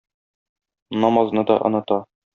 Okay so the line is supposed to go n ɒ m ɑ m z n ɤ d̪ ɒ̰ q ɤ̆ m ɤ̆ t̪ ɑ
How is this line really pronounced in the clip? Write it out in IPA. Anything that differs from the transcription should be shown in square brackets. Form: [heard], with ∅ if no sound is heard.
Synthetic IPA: n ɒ m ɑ [∅] z n ɤ d̪ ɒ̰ [ʔ] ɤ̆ [n] ɤ̆ t̪ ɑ